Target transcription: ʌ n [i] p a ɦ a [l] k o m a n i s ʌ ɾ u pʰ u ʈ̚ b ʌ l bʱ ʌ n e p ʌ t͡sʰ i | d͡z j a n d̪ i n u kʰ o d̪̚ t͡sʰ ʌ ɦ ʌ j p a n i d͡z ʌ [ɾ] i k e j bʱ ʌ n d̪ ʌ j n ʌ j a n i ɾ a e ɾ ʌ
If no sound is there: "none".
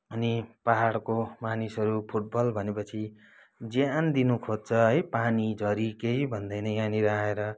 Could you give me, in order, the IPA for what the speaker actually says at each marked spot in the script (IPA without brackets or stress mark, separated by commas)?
i, ɽ, ɾ